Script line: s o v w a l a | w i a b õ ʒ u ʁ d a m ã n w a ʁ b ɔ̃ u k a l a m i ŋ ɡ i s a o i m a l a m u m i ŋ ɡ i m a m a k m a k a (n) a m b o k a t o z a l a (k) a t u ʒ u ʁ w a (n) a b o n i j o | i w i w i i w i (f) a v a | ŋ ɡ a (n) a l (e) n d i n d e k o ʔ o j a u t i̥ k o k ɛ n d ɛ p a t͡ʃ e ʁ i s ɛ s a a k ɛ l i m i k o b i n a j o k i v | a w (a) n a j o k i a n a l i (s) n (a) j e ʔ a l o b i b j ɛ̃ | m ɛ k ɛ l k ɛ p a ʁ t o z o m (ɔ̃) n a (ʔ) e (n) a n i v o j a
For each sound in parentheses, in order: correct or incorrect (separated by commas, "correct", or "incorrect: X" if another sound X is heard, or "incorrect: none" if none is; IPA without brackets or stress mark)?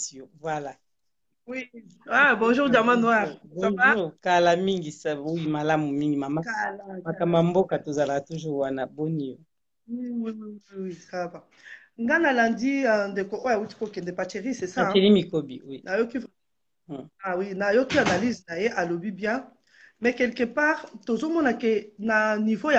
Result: incorrect: m, correct, correct, incorrect: s, correct, incorrect: a, incorrect: i, incorrect: z, correct, incorrect: ɔ, incorrect: k, correct